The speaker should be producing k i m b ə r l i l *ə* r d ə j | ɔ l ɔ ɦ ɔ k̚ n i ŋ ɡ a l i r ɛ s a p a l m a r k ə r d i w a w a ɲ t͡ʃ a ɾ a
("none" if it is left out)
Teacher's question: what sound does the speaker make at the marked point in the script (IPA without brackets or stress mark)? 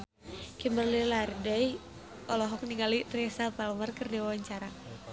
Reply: a